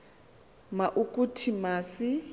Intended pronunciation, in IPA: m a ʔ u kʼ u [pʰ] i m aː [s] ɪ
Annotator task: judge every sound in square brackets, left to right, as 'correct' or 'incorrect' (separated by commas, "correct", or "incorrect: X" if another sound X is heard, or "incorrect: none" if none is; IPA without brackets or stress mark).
incorrect: tʰ, correct